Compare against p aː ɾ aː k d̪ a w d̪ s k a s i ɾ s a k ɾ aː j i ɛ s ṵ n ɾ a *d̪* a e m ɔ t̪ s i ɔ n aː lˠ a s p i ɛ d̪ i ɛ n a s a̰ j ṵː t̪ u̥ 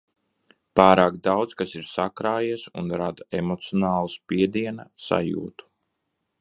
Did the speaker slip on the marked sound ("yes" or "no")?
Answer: no